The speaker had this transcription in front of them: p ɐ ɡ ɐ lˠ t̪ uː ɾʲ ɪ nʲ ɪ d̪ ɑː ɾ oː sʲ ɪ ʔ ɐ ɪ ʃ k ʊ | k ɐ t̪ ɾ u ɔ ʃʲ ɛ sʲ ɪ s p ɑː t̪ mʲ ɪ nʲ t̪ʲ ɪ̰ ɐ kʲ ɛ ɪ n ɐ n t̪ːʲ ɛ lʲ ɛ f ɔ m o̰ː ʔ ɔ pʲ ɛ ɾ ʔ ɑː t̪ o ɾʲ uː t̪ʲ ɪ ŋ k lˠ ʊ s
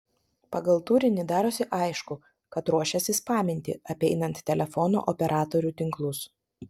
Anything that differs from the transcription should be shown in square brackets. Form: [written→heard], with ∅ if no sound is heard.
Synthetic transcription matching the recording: p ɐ ɡ ɐ lˠ t̪ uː ɾʲ ɪ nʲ ɪ d̪ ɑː ɾ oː sʲ ɪ ʔ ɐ ɪ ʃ k ʊ | k ɐ t̪ ɾ u ɔ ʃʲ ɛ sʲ ɪ s p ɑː [t̪→∅] mʲ ɪ nʲ t̪ʲ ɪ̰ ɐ [kʲ→pʲ] ɛ ɪ n ɐ n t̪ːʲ ɛ lʲ ɛ f ɔ [m→n] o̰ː ʔ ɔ pʲ ɛ ɾ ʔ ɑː t̪ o ɾʲ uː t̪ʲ ɪ ŋ k lˠ ʊ s